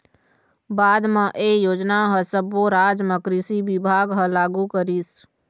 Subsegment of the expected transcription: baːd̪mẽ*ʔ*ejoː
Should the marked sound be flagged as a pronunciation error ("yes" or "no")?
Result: no